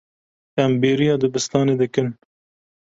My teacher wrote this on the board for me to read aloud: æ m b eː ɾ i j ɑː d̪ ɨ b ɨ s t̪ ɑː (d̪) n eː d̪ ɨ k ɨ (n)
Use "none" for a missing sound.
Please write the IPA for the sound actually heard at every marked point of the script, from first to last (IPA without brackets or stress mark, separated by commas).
none, n